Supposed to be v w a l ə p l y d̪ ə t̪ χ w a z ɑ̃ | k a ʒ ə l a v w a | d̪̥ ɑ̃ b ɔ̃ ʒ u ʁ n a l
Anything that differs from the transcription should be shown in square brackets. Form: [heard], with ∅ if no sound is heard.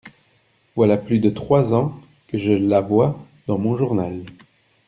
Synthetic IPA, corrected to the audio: v w a l [a] p l y d̪ ə t̪ χ w a z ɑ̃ | k [ə] ʒ ə l a v w a | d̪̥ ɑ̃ [m] ɔ̃ ʒ u ʁ n a l